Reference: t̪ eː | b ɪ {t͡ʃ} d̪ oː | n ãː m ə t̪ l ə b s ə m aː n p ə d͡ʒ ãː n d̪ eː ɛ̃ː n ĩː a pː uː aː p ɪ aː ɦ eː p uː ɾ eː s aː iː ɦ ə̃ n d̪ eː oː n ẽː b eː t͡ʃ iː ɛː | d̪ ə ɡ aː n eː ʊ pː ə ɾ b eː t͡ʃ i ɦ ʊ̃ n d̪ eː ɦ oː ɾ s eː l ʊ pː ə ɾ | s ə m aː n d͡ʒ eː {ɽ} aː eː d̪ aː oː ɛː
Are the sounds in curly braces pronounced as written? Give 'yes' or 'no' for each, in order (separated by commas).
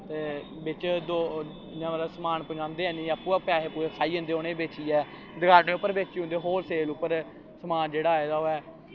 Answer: yes, yes